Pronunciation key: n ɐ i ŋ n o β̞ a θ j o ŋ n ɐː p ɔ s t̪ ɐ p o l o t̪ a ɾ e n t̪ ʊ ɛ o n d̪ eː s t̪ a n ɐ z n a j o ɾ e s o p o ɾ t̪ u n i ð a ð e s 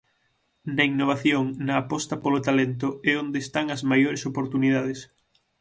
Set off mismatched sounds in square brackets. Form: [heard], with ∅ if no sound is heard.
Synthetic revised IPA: n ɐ i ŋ n o β̞ a θ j o ŋ n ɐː p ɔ s t̪ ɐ p o l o t̪ a [l] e n t̪ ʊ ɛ o n d̪ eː s t̪ a [ŋ] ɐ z [m] a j o ɾ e s o p o ɾ t̪ u n i ð a ð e s